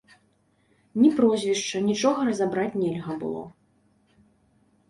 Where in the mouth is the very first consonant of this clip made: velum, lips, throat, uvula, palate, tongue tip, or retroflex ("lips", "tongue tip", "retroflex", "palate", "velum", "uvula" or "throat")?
tongue tip